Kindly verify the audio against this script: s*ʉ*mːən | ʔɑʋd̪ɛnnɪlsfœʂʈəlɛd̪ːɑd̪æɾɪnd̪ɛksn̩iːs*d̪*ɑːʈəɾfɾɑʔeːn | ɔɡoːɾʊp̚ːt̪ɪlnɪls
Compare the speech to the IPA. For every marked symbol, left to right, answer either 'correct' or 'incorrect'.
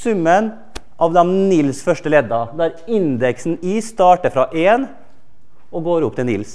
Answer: correct, incorrect: t̪

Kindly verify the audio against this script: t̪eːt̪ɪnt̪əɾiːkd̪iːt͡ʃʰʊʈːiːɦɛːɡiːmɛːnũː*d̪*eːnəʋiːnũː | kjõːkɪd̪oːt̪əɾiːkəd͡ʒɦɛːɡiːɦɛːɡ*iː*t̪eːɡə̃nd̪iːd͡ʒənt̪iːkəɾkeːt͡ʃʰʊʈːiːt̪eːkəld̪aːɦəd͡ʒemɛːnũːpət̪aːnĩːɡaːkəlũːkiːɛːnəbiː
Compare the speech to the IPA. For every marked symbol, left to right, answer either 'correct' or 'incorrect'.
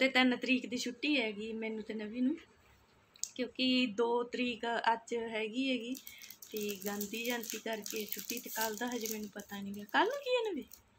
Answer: incorrect: t̪, correct

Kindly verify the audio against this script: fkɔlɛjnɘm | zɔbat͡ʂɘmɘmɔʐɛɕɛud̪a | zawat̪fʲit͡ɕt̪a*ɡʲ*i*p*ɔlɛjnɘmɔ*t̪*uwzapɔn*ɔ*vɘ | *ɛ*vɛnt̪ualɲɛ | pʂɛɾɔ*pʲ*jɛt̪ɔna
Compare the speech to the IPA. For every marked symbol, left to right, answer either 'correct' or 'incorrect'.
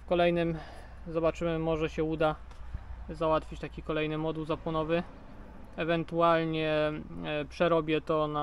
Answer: incorrect: kʲ, incorrect: k, incorrect: d̪, correct, correct, incorrect: bʲ

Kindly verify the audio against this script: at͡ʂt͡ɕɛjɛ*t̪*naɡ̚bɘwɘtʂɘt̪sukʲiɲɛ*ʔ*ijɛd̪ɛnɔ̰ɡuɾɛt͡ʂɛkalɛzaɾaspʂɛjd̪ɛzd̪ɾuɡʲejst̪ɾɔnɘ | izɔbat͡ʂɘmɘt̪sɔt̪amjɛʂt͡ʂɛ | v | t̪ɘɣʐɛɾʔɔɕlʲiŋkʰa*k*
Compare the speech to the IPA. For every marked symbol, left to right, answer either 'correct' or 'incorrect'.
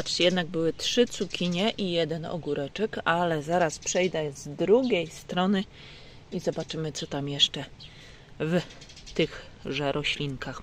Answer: incorrect: d̪, correct, incorrect: x

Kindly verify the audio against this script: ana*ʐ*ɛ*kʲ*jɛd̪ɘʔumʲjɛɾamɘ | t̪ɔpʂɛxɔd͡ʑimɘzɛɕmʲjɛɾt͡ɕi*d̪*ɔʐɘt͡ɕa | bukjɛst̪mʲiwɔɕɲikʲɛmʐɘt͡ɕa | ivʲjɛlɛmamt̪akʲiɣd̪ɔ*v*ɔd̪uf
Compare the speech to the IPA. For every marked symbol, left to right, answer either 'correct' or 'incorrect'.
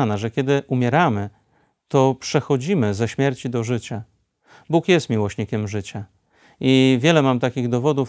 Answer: correct, correct, correct, correct

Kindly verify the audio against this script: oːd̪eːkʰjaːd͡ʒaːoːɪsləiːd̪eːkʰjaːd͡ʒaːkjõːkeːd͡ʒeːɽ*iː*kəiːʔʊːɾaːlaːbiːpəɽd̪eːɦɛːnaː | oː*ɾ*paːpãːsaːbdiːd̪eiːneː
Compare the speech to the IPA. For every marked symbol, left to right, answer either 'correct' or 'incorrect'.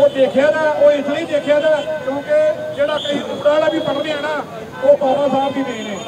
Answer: incorrect: aː, incorrect: none

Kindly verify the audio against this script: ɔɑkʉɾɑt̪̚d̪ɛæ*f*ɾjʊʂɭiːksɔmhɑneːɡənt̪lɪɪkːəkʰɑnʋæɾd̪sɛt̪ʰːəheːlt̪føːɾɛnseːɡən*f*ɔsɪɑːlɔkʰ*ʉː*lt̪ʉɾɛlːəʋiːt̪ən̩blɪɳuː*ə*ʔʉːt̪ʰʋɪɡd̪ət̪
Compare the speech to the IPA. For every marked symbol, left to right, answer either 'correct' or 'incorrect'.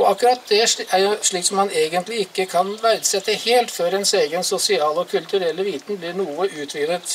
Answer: incorrect: none, incorrect: s, incorrect: ʉ, correct

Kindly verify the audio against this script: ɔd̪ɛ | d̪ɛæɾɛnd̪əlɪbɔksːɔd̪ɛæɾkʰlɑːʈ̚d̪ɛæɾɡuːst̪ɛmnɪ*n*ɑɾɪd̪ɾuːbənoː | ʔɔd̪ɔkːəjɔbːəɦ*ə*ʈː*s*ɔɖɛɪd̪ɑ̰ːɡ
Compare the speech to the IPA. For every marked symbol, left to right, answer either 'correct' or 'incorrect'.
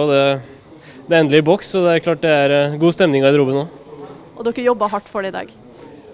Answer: incorrect: ŋ, incorrect: ɑ, incorrect: f

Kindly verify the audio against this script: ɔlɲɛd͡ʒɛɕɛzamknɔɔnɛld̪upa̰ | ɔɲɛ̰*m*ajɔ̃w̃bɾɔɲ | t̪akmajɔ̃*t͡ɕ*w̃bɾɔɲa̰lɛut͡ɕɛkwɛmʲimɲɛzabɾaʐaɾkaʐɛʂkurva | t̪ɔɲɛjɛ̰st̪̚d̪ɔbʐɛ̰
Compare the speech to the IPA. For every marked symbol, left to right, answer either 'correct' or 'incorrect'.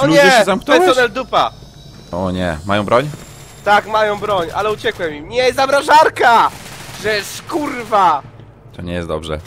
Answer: correct, incorrect: none

